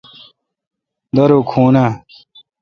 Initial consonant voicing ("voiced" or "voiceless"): voiced